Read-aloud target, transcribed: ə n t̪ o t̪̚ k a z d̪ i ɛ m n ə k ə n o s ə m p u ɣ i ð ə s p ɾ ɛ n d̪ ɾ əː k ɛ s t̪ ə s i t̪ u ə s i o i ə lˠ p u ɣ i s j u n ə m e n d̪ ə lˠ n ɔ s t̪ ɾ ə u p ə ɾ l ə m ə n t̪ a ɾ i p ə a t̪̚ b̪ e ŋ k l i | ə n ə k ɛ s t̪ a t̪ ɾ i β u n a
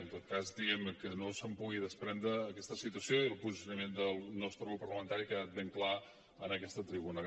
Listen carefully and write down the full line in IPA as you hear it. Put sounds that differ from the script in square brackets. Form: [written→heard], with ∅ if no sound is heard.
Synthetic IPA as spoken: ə n t̪ o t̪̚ k a z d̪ i ɛ m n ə k ə n o s ə m p u ɣ i ð ə s p ɾ ɛ n d̪ ɾ əː k ɛ s t̪ ə s i t̪ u ə s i o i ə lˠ p u [ɣ→z] i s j u n ə m e n d̪ ə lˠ n ɔ s t̪ ɾ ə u p ə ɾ l ə m ə n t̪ a ɾ i [p→k] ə a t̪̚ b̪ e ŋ k l [i→a] | ə n ə k ɛ s t̪ [a→ə] t̪ ɾ i β u n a